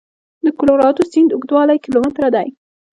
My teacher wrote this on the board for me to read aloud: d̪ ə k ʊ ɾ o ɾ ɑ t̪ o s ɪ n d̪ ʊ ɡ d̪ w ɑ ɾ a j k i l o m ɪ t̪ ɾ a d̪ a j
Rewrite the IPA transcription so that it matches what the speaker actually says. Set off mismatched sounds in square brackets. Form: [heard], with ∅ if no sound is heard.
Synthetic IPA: d̪ ə k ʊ [l] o ɾ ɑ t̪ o s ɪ n d̪ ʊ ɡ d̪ w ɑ [l] a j k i l o m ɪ t̪ ɾ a d̪ a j